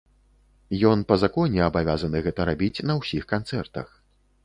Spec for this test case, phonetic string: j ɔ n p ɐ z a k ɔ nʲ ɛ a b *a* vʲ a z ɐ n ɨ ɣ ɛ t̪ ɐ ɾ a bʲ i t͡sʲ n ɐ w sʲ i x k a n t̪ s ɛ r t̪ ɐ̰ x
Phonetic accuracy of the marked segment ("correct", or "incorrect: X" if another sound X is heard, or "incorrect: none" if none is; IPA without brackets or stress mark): correct